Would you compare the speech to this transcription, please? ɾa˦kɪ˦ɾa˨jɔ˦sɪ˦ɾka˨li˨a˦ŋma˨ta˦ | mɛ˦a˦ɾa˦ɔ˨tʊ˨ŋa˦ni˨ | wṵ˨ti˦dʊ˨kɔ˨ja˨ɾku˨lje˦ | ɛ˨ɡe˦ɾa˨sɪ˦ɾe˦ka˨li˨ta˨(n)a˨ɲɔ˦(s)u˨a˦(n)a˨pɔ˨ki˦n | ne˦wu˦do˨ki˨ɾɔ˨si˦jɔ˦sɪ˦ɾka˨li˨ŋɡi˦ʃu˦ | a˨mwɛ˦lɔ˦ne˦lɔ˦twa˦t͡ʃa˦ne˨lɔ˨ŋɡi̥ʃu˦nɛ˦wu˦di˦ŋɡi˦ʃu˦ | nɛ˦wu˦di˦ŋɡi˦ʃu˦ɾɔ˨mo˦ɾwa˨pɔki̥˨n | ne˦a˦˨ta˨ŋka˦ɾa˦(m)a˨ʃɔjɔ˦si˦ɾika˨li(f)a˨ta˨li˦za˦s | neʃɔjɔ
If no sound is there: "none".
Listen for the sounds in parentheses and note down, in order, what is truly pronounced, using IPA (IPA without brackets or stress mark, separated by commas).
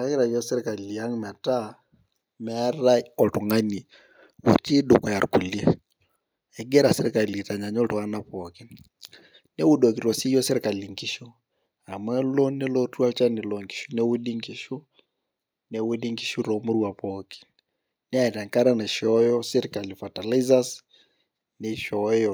ɲ, t, n, n, f